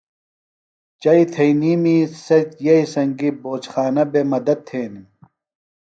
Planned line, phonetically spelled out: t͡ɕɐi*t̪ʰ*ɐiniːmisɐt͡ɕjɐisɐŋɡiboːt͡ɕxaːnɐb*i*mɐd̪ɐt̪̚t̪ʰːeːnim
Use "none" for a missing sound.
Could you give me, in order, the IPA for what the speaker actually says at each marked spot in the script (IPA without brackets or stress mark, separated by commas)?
t̪ʰ, e